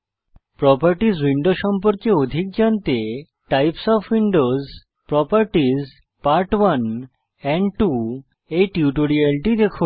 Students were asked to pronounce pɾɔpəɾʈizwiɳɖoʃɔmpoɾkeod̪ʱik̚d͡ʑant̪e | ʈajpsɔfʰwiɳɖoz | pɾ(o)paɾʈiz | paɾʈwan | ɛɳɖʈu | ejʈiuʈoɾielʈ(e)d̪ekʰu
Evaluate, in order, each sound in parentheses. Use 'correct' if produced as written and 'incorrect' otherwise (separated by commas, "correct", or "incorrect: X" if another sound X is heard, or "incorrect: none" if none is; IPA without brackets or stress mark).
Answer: incorrect: ɔ, incorrect: i